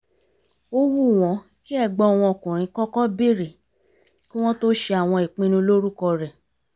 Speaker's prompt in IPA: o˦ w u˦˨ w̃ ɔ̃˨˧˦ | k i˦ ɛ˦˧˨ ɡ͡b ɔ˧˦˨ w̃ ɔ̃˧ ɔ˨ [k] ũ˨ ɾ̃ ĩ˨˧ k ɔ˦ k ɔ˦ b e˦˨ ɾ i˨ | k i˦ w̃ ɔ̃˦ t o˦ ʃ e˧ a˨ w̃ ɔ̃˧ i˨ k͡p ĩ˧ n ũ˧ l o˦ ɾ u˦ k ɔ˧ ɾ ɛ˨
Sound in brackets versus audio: correct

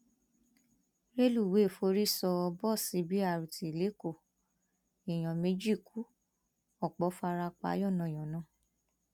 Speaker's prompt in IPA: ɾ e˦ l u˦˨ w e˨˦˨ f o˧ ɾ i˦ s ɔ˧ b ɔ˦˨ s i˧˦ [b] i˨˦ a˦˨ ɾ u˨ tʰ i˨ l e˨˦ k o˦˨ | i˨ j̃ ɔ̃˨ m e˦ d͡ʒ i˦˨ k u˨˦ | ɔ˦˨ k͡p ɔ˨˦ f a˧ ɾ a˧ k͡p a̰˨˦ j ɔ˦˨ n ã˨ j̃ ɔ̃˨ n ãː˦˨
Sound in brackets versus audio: correct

